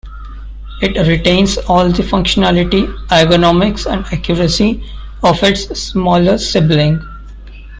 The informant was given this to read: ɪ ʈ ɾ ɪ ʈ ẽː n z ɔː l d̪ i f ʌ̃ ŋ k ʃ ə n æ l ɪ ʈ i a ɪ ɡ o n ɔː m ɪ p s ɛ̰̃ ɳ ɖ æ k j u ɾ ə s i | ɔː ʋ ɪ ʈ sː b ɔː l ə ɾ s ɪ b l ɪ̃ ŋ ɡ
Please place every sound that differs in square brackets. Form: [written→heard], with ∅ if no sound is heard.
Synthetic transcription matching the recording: ɪ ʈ ɾ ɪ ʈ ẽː n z ɔː l d̪ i f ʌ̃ ŋ k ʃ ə n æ l ɪ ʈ i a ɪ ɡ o n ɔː m ɪ [p→k] s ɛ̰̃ ɳ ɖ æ k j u ɾ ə s i | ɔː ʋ ɪ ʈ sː [b→m] ɔː l ə ɾ s ɪ b l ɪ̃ ŋ ɡ

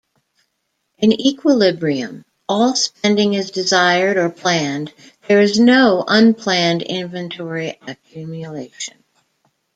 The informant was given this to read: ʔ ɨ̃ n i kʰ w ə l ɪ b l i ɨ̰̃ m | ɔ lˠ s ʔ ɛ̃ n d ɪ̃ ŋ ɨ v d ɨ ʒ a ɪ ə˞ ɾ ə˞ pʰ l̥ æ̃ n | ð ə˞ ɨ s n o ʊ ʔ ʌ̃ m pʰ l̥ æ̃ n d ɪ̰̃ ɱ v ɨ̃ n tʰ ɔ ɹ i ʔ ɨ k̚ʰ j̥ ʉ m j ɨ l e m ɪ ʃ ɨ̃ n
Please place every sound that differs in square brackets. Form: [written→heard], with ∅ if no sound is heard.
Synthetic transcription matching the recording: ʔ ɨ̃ n i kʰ w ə l ɪ b [l→ɹ] i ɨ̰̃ m | ɔ lˠ s [ʔ→p] ɛ̃ n d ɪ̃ ŋ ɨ [v→z] d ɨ [ʒ→z] a ɪ ə˞ ɾ ə˞ pʰ l̥ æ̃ n | ð ə˞ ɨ [s→z] n o ʊ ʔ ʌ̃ [m→n] pʰ l̥ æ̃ n d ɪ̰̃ ɱ v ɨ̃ n tʰ ɔ ɹ i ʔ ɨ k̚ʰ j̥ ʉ m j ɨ l e [m→∅] ɪ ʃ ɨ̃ n

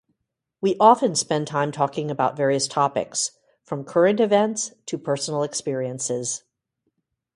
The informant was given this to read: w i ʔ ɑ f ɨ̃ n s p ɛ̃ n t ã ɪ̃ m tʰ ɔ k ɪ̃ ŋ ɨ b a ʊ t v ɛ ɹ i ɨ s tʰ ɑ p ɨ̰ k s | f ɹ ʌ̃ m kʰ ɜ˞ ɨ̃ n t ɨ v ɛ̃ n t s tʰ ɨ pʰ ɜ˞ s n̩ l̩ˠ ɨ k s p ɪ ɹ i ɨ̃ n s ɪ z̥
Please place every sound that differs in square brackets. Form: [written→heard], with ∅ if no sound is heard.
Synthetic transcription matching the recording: w i ʔ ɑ f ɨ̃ n s p ɛ̃ n [t→tʰ] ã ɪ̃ m tʰ ɔ k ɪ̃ ŋ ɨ b a ʊ t v ɛ ɹ i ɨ s tʰ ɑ p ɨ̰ k s | f ɹ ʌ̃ m kʰ ɜ˞ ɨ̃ n t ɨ v ɛ̃ n t s tʰ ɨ pʰ ɜ˞ s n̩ l̩ˠ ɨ k s p ɪ ɹ i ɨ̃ n s ɪ z̥

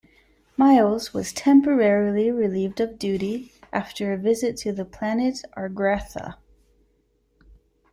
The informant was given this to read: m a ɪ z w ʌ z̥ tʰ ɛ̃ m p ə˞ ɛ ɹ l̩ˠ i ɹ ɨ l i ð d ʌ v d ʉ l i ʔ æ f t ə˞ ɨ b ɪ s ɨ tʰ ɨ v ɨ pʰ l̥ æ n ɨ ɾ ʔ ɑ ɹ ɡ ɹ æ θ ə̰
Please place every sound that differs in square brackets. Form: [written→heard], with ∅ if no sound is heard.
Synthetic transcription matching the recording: m a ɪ z w ʌ z̥ tʰ ɛ̃ m p ə˞ ɛ ɹ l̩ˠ i ɹ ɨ l i [ð→v] d ʌ v d ʉ [l→ɾ] i ʔ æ f t ə˞ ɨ [b→v] ɪ [s→z] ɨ tʰ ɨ [v→ð] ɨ pʰ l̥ æ n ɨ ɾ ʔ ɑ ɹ ɡ ɹ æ θ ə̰

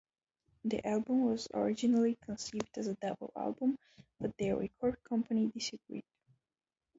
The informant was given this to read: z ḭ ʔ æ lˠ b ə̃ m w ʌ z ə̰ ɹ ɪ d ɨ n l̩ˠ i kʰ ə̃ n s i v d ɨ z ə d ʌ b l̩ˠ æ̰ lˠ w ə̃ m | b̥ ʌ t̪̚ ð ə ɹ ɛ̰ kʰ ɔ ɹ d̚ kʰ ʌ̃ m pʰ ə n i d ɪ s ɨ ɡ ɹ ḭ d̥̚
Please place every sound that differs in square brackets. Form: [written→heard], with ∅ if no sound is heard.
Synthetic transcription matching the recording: [z→ð] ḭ ʔ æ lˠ b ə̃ m w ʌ z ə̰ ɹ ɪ [d→d͡ʒ] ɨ n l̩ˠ i kʰ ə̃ n s i v d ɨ z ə d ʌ b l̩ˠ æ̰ lˠ [w→b] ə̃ m | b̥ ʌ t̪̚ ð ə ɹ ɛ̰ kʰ ɔ ɹ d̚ kʰ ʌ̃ m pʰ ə n i d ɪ s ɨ ɡ ɹ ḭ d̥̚

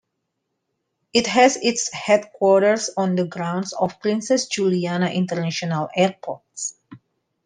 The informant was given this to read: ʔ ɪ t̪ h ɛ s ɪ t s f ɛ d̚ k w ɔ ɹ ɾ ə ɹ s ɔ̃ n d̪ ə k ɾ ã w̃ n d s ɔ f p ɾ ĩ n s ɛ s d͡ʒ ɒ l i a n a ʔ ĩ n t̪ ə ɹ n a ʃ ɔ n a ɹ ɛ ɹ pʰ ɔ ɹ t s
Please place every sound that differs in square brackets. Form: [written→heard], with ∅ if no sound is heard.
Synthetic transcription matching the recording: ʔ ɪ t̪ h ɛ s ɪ t s [f→h] ɛ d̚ k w ɔ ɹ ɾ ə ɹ s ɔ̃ n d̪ ə [k→ɡ] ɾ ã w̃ n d s ɔ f p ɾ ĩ n s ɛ s d͡ʒ [ɒ→u] l i a n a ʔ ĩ n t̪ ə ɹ n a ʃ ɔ n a [ɹ→l] ɛ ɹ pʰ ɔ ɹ t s

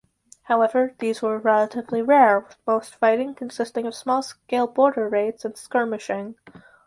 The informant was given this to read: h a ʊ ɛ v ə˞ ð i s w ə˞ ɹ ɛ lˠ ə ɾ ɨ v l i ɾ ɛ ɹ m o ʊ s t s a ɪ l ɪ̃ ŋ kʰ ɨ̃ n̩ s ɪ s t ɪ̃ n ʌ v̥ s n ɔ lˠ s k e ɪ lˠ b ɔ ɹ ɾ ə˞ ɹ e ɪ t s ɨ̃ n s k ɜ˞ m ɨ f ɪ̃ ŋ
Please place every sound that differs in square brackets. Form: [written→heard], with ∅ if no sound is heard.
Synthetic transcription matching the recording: h a ʊ ɛ v ə˞ ð i [s→z] w ə˞ ɹ ɛ lˠ ə ɾ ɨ v l i [ɾ→ɹ] ɛ ɹ m o ʊ s t [s→f] a ɪ [l→ɾ] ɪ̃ ŋ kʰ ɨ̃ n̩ s ɪ s t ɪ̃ [n→ŋ] ʌ v̥ s [n→m] ɔ lˠ s k e ɪ lˠ b ɔ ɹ ɾ ə˞ ɹ e ɪ t s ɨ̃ n s k ɜ˞ m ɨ [f→ʃ] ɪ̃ ŋ

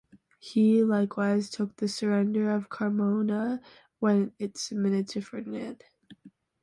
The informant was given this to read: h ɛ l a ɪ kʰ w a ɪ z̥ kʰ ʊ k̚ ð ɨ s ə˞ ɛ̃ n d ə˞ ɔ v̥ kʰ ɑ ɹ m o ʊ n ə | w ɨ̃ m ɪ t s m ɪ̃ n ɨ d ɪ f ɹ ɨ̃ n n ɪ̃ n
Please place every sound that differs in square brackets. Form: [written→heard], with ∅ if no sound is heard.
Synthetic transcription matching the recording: h [ɛ→i] l a ɪ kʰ w a ɪ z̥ [kʰ→tʰ] ʊ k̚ ð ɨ s ə˞ ɛ̃ n d ə˞ [ɔ→ʌ] v̥ kʰ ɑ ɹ m o ʊ n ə | w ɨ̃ [m→n] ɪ t s m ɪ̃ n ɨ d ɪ f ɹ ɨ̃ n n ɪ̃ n

